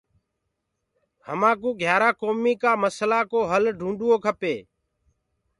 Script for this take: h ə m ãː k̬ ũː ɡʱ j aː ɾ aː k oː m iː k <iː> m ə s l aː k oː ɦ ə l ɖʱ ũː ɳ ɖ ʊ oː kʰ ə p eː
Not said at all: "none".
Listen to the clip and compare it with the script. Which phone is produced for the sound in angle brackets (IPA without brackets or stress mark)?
aː